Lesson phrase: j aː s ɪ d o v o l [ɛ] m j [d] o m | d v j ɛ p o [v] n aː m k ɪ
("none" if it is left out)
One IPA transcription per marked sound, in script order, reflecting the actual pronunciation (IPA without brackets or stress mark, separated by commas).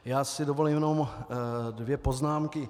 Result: i, n, z